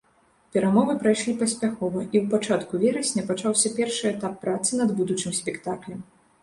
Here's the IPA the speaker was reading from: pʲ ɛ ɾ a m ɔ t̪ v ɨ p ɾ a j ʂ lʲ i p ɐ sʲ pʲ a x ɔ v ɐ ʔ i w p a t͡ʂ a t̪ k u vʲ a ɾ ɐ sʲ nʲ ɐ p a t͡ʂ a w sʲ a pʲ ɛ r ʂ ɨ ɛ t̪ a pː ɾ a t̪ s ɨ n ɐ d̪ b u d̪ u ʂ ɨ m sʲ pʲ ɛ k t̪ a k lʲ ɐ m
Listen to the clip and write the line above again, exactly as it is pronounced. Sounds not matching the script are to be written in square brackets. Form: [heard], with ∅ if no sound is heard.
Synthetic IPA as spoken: pʲ ɛ ɾ a m ɔ [∅] v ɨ p ɾ a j ʂ lʲ i p ɐ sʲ pʲ a x ɔ v ɐ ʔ i w p a t͡ʂ a t̪ k u vʲ [ɛ] ɾ ɐ sʲ nʲ ɐ p a t͡ʂ a w sʲ [ɐ] pʲ ɛ r ʂ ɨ ɛ t̪ a pː ɾ a t̪ s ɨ n ɐ d̪ b u d̪ u [t͡ʂ] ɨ m sʲ pʲ ɛ k t̪ a k lʲ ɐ m